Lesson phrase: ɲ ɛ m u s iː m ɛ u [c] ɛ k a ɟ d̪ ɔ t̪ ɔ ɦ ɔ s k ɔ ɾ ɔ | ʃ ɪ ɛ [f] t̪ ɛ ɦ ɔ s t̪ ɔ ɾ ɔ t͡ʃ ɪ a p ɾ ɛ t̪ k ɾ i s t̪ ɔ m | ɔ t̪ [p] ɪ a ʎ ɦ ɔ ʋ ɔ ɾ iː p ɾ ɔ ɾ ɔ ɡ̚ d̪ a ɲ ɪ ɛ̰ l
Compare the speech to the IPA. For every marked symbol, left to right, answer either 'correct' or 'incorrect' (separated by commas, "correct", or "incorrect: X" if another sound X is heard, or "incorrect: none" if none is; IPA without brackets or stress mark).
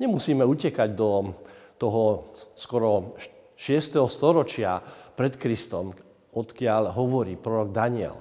correct, incorrect: s, incorrect: k